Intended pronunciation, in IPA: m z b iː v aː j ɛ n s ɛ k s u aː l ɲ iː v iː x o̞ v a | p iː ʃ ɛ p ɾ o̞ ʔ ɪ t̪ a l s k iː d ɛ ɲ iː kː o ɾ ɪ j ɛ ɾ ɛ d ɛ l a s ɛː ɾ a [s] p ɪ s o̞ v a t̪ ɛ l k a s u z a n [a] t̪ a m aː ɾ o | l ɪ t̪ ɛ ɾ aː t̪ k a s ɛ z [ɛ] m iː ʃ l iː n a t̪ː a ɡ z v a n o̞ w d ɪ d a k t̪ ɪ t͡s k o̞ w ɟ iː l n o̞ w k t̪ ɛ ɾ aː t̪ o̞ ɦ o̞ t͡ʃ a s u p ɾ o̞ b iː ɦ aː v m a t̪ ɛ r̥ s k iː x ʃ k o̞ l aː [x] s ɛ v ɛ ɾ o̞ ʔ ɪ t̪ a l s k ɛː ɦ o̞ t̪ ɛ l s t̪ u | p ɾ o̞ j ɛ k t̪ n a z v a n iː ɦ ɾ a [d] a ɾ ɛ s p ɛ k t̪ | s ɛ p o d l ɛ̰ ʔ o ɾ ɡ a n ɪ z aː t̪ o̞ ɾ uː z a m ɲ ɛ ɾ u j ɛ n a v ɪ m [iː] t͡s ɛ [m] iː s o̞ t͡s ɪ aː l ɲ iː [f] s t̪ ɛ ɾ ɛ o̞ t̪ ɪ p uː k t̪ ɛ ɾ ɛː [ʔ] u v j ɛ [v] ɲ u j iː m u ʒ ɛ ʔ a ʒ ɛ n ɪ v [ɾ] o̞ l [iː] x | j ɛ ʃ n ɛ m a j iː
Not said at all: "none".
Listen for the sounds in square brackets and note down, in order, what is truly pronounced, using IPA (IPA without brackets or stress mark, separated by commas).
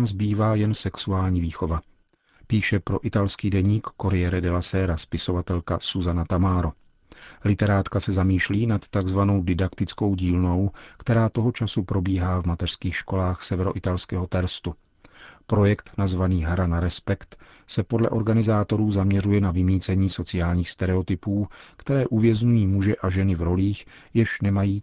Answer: s, a, a, x, n, iː, ɲ, x, ʔ, z, ɾ, iː